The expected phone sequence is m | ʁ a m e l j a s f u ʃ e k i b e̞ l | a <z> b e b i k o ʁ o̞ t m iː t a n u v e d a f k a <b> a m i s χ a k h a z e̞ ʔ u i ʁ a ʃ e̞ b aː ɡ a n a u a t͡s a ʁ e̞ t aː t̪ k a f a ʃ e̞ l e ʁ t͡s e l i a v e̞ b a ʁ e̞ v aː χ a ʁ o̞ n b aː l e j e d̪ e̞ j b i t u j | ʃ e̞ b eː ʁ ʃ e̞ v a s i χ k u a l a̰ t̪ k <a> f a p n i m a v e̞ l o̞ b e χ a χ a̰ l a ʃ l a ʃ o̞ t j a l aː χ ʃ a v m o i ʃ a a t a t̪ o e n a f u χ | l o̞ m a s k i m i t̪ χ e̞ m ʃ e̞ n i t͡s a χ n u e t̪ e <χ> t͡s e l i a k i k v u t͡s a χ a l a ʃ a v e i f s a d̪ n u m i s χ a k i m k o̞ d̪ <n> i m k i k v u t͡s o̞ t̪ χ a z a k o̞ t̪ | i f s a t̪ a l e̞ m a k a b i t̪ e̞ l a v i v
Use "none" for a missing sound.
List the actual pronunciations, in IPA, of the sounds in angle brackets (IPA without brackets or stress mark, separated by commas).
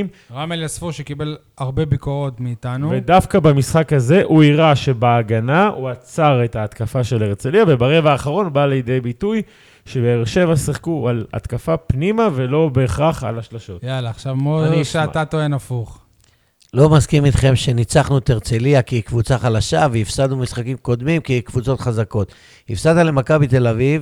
ʁ, b, a, ʁ, m